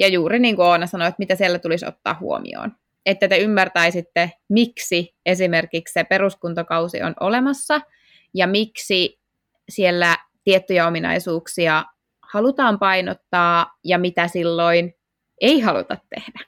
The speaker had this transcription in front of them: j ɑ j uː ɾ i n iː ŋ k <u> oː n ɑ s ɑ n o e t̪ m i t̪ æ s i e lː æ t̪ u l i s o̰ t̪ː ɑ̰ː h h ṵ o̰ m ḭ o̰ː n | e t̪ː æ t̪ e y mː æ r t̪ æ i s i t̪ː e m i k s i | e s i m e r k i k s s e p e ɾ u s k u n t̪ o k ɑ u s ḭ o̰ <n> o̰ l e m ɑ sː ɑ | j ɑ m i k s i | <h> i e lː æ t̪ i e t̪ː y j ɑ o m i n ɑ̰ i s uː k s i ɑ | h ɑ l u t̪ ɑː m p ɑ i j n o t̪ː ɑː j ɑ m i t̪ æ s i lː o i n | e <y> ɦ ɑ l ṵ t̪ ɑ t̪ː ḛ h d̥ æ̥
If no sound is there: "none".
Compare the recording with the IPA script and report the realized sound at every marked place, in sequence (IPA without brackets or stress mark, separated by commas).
u, n, s, i